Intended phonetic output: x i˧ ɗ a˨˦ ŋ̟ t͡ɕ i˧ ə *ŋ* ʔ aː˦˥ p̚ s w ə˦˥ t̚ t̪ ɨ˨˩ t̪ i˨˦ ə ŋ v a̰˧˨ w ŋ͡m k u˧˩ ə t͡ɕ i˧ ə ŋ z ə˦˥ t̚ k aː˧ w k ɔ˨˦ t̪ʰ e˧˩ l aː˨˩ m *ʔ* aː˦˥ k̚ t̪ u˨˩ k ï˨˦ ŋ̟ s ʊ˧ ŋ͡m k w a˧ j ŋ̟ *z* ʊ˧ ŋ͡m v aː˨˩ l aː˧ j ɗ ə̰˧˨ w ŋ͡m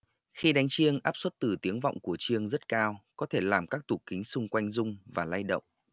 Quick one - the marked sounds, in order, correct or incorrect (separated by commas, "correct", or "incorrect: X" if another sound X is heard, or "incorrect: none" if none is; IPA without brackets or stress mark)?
correct, incorrect: k, correct